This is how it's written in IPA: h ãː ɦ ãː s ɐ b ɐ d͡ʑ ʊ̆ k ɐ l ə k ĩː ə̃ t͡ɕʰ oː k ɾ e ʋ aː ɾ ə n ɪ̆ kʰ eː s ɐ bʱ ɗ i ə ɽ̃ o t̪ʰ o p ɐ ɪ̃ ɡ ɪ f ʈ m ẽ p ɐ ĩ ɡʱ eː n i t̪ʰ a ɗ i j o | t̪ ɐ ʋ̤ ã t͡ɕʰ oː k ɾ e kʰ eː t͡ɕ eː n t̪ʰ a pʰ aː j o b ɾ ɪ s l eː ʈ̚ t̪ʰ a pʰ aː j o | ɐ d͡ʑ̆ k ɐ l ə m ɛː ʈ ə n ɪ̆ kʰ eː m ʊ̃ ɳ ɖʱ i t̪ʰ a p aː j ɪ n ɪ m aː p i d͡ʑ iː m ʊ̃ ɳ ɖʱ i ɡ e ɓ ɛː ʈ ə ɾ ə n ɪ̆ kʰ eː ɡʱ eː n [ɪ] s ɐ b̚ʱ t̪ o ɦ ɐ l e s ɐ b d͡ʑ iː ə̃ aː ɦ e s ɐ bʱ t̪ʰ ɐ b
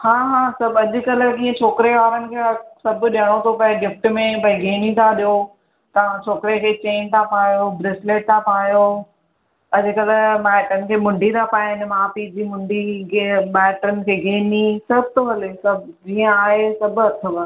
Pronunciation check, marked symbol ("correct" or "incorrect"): incorrect